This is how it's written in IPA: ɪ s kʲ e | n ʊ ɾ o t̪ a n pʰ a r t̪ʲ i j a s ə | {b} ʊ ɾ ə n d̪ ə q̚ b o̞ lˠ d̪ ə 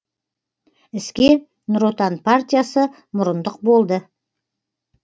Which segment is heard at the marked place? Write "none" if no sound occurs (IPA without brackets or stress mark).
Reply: m